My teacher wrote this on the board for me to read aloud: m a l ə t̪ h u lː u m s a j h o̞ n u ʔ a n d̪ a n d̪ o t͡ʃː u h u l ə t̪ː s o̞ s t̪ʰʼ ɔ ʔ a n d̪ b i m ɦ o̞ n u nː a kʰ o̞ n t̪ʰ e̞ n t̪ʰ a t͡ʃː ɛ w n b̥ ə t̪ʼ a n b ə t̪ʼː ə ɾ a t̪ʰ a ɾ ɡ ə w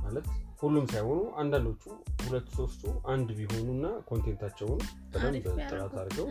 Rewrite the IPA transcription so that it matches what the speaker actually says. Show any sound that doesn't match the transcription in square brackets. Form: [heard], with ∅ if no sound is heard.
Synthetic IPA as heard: m a l ə t̪ h u lː u m s a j h o̞ n u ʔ a n d̪ a n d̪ o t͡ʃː u h u l ə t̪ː s o̞ s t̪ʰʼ [u] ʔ a n d̪ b i [∅] ɦ o̞ n u nː a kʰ o̞ n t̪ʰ e̞ n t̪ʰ a t͡ʃː ɛ w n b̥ ə t̪ʼ a [m] b ə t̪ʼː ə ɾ a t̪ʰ a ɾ ɡ ə w